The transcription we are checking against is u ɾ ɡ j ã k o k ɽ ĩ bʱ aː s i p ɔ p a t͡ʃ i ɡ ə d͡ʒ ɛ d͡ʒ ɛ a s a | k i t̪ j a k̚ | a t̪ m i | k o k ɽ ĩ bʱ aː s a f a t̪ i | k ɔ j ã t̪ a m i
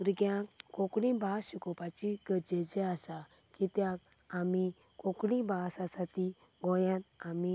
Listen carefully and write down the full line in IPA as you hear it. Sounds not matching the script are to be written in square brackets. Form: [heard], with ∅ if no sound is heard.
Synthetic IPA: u ɾ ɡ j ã k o k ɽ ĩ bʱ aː s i [k] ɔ p a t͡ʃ i ɡ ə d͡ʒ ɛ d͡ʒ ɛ a s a | k i t̪ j a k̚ | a [∅] m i | k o k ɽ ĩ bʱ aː s a [s] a t̪ i | [ɡ] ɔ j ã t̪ a m i

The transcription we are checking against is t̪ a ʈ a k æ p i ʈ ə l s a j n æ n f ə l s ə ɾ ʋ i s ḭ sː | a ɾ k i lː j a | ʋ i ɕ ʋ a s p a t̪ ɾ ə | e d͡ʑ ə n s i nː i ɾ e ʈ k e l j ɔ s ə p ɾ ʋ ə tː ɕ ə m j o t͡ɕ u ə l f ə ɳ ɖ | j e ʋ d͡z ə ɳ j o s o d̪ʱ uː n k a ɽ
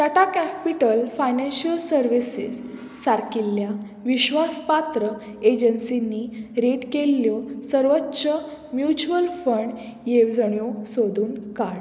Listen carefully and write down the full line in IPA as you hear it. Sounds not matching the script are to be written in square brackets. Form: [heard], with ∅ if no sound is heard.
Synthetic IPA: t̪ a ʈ a k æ p i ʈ ə l [f] a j n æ n [ɕ] ə l s ə ɾ ʋ i s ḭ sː | a ɾ k i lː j a | ʋ i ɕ ʋ a s p a t̪ ɾ ə | e d͡ʑ ə n s i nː i ɾ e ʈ k e l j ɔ s ə [∅] ɾ ʋ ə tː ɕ ə m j [u] t͡ɕ u ə l f ə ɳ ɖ | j e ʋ d͡z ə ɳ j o s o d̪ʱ uː n k a ɽ

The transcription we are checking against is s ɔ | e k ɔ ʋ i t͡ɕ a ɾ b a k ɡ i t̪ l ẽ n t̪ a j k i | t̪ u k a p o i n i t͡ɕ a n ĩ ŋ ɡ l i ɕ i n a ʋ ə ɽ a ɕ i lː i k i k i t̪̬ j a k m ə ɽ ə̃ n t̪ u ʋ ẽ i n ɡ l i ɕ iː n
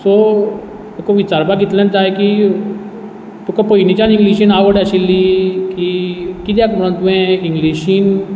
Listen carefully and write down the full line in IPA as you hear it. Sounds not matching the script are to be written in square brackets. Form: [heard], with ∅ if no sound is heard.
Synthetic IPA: s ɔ | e k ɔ ʋ i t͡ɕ a ɾ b a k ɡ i t̪ l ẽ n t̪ a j k i | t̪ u k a p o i n i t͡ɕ a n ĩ ŋ ɡ l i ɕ i n a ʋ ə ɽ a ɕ i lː i k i k i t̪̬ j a k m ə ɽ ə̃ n t̪ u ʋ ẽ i [ŋ] ɡ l i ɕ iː n

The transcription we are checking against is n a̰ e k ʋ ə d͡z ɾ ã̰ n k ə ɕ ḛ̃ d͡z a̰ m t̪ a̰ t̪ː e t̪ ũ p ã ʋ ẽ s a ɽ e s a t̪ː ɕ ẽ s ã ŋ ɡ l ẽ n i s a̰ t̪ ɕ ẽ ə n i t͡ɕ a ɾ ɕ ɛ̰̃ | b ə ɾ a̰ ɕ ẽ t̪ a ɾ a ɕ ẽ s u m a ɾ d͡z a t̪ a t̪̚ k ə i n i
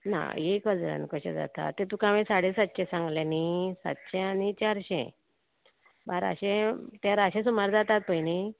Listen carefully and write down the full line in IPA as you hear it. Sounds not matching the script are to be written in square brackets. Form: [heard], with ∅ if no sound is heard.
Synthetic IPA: n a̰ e k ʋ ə d͡z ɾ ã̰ n k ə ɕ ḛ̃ d͡z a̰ [∅] t̪ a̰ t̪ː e t̪ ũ [k] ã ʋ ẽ s a ɽ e s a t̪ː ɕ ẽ s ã ŋ ɡ l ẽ n i s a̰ t̪ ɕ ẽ [a] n i t͡ɕ a ɾ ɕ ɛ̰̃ | b [a] ɾ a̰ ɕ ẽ t̪ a ɾ a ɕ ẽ s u m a ɾ d͡z a t̪ a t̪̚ [p] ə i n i

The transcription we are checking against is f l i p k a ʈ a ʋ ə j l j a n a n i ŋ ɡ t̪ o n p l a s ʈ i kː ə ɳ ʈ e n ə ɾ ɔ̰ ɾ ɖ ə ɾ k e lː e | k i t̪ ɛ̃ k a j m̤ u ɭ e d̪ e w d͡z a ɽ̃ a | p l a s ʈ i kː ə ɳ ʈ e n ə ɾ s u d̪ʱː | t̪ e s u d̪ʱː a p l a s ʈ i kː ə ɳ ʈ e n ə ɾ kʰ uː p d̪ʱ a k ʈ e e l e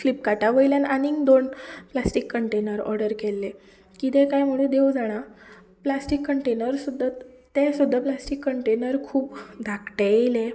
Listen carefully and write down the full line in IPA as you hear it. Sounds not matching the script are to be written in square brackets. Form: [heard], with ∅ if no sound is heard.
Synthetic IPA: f l i p k a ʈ a ʋ ə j l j a n a n i ŋ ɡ [d̪] o n p l a s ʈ i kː ə ɳ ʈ e n ə ɾ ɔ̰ ɾ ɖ ə ɾ k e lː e | k i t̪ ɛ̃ k a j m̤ u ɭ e d̪ e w d͡z a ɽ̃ a | p l a s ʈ i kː ə ɳ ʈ e n ə ɾ s u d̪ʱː | t̪ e s u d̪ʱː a p l a s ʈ i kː ə ɳ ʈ e n ə ɾ kʰ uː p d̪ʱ a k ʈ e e l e

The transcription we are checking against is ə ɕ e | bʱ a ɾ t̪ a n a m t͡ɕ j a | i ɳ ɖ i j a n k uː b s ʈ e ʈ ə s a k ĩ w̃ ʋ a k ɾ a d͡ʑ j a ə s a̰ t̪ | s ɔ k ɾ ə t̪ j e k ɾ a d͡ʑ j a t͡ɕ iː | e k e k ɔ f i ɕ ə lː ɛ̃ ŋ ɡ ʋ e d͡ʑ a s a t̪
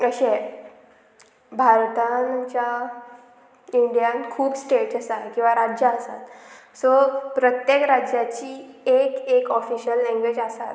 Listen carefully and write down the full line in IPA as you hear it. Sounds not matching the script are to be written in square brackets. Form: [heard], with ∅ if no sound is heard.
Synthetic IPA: ə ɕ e | bʱ a ɾ t̪ a n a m t͡ɕ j a | i ɳ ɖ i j a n [kʰ] uː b s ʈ e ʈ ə s a k ĩ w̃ ʋ a [∅] ɾ a d͡ʑ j a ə s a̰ t̪ | s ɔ [p] ɾ ə t̪ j e k ɾ a d͡ʑ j a t͡ɕ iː | e k e k ɔ f i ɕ ə lː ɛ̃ ŋ ɡ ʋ e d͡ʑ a s a t̪

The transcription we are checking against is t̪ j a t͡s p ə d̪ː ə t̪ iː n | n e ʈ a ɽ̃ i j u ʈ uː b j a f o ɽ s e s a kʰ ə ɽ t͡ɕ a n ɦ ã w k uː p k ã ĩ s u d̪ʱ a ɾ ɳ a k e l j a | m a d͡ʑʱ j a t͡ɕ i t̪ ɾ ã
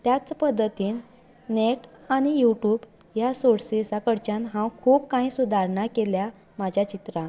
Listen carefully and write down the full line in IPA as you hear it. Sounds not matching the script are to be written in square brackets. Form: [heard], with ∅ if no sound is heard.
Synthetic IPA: t̪ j a t͡s p ə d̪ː ə t̪ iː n | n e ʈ a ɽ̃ i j u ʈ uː b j a [s] o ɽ s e s a [k] ə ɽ t͡ɕ a n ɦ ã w [kʰ] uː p k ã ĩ s u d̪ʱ a ɾ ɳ a k e l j a | m a d͡ʑʱ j a t͡ɕ i t̪ ɾ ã

